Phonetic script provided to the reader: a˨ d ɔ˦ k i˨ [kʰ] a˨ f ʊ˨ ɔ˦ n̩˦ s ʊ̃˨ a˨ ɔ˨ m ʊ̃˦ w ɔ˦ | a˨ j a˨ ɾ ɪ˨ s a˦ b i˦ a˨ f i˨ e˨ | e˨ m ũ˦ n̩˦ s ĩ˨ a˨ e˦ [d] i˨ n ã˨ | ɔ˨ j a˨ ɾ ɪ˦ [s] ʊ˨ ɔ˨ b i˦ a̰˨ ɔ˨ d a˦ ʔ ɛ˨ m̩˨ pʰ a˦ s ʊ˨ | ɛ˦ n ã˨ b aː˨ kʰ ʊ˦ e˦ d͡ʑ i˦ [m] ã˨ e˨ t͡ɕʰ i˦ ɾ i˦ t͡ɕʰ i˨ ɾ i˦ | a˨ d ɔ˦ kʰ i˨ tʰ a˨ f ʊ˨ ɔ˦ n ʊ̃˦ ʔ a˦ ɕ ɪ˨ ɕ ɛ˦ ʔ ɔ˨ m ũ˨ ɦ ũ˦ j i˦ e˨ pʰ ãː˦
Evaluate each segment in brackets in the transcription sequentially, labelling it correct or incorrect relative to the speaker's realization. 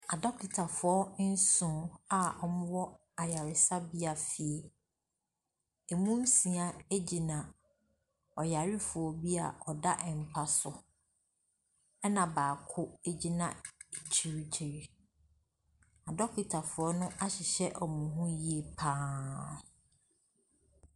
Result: incorrect: tʰ, incorrect: d͡ʑ, incorrect: f, incorrect: n

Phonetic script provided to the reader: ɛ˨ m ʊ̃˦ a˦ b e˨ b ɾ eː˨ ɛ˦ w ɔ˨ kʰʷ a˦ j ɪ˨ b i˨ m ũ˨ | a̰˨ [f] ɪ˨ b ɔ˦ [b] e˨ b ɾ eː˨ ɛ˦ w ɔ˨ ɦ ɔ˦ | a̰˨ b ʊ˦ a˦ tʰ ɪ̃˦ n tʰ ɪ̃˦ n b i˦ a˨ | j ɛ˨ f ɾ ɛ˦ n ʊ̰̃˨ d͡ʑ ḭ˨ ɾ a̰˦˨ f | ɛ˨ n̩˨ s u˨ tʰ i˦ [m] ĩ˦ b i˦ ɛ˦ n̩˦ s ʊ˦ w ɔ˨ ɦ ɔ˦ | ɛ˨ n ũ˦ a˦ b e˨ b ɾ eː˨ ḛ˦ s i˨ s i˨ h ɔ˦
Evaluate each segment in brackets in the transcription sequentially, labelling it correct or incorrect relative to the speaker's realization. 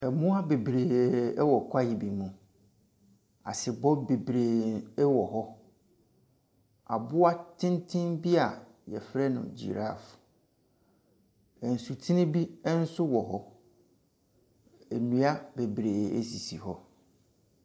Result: incorrect: s, correct, incorrect: n

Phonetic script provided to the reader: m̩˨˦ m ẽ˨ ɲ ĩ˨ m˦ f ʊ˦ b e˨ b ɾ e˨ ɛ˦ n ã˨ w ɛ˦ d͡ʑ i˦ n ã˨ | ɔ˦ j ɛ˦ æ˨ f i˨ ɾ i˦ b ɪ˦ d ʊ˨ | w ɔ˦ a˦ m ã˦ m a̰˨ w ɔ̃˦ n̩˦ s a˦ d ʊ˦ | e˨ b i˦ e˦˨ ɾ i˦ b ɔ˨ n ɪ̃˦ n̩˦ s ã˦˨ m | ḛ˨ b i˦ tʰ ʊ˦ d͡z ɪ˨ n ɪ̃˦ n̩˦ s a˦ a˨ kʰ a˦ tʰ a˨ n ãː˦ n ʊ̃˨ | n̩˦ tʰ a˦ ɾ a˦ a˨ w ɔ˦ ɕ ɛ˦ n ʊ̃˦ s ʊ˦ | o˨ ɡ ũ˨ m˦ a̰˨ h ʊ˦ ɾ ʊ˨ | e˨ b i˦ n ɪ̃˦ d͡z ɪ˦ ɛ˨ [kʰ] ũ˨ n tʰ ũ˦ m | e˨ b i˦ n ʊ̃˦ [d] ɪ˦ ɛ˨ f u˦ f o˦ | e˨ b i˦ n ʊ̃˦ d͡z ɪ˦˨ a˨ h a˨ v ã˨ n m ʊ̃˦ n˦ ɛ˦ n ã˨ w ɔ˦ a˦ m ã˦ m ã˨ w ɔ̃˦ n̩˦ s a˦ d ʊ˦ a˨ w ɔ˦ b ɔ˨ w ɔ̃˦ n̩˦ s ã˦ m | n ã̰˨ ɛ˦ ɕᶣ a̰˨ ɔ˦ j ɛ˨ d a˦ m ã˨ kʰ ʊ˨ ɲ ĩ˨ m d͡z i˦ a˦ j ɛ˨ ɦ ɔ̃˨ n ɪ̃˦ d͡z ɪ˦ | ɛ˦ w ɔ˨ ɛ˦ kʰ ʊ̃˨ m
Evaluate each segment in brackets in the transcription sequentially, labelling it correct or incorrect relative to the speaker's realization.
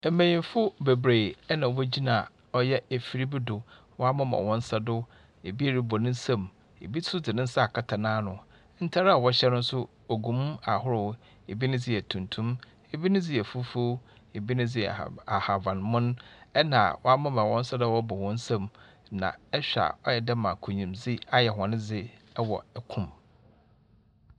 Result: incorrect: tʰ, incorrect: d͡z

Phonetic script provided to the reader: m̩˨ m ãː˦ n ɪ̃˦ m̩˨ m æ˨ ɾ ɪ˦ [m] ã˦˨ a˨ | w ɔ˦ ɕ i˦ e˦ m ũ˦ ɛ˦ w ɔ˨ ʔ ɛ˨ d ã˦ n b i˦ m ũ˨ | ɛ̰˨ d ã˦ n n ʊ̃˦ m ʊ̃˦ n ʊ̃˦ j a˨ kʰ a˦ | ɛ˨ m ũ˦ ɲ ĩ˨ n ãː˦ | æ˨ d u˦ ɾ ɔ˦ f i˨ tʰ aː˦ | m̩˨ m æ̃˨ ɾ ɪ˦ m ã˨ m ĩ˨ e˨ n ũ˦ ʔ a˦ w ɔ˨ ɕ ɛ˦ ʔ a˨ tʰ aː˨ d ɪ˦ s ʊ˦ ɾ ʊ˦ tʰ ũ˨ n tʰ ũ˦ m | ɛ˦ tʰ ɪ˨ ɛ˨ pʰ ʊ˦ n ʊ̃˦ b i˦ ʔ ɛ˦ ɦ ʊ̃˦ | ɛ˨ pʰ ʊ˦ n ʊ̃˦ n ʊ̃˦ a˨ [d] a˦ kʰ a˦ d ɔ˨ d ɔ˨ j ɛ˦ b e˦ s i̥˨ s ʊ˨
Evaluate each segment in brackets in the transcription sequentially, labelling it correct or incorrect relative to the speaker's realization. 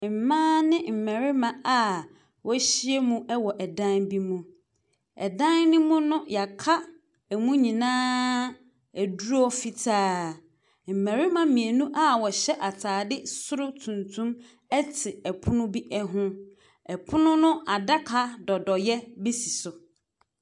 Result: correct, correct

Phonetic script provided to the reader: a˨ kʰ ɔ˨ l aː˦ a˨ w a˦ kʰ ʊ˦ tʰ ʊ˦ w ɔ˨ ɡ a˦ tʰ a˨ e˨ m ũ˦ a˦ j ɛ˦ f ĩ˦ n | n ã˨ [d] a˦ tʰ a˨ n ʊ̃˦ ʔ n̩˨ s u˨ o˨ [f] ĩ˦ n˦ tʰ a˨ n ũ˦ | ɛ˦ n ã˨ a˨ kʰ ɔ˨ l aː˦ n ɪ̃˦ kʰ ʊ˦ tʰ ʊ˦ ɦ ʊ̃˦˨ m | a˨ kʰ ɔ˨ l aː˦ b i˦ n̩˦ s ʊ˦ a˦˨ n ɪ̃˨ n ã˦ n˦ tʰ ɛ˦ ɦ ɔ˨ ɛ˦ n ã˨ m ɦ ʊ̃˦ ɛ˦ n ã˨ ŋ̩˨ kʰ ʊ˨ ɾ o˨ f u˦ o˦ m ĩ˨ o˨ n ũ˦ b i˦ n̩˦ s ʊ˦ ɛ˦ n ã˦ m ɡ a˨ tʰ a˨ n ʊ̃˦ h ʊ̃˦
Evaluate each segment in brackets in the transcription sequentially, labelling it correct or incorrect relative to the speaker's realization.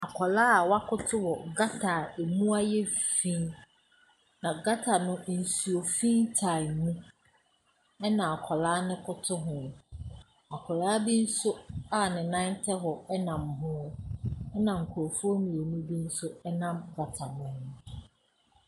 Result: incorrect: ɡ, correct

